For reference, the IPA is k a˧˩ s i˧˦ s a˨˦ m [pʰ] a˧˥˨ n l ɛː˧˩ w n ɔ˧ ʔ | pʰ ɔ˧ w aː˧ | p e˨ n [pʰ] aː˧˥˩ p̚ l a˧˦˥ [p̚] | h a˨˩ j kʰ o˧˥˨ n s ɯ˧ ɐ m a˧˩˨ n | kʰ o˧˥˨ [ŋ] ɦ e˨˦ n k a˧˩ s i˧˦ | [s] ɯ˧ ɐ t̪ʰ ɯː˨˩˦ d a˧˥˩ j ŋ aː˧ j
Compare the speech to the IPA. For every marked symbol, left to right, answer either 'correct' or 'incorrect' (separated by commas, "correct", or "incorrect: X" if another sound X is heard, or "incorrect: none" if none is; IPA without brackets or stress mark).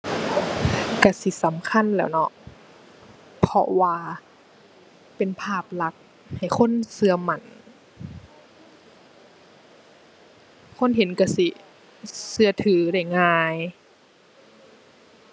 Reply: incorrect: kʰ, correct, incorrect: k̚, incorrect: n, correct